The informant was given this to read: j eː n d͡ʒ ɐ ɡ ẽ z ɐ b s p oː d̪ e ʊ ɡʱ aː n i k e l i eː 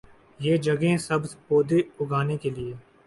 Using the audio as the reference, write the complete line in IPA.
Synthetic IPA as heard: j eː d͡ʒ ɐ ɡ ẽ s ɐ b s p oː d̪ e ʊ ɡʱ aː n e k e l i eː